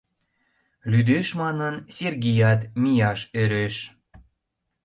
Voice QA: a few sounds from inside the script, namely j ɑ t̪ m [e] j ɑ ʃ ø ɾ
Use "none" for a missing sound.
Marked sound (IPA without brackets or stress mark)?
i